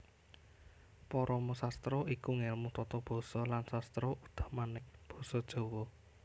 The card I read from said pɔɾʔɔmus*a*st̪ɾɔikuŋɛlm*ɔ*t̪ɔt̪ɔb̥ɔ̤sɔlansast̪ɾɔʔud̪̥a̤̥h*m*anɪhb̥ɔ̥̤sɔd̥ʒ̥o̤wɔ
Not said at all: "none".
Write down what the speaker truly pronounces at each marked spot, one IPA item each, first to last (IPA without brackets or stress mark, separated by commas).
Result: a, u, m